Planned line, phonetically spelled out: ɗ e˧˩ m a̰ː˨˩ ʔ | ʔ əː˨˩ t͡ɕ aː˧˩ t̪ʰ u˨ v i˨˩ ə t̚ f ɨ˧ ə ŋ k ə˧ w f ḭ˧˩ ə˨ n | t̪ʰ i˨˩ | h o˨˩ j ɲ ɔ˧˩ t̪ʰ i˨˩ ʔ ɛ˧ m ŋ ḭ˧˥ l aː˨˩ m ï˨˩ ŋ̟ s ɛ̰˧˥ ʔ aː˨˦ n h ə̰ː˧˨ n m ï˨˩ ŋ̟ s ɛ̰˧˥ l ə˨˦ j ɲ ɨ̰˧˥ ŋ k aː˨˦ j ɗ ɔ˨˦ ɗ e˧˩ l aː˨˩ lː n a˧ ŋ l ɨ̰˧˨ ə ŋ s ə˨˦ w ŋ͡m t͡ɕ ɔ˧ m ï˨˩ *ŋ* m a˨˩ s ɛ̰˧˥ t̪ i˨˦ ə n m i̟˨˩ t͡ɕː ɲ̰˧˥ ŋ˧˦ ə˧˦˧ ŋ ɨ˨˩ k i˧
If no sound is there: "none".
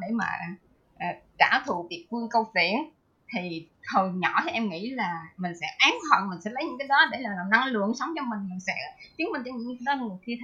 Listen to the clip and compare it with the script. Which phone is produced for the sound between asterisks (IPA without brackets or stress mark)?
ŋ